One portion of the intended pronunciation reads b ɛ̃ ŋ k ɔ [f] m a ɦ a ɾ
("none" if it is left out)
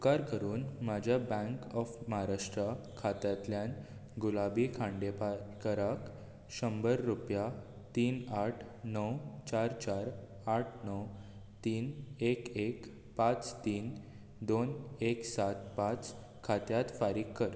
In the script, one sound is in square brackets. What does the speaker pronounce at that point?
f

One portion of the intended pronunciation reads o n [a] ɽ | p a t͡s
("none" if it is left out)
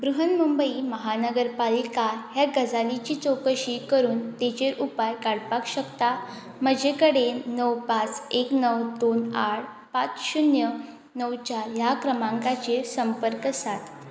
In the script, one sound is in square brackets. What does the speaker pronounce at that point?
a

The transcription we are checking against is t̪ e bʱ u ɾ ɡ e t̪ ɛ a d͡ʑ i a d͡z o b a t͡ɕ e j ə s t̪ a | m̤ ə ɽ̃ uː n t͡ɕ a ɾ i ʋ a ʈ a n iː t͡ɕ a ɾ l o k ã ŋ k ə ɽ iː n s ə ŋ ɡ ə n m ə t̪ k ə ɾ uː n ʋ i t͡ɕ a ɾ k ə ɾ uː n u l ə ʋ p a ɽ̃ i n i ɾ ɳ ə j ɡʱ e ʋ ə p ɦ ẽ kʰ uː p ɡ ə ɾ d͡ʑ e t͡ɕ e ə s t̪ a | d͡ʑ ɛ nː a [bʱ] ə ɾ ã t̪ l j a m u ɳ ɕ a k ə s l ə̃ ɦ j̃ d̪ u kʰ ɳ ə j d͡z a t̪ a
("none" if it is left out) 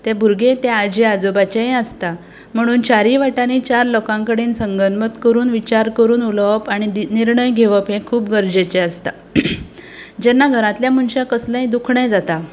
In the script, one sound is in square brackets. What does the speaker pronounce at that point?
ɡʱ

